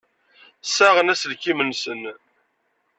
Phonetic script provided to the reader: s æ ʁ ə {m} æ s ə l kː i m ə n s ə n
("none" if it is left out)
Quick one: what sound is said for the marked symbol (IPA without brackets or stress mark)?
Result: n